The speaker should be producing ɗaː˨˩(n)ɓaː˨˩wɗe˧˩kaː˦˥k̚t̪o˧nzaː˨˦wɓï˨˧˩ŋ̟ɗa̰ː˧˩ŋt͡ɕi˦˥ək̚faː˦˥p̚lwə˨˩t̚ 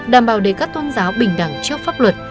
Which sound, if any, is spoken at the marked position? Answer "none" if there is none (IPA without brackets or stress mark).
m